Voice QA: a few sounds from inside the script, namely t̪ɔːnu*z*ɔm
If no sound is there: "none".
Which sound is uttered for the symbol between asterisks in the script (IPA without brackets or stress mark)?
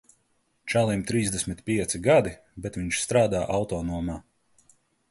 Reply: none